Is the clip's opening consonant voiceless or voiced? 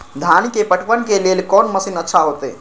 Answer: voiced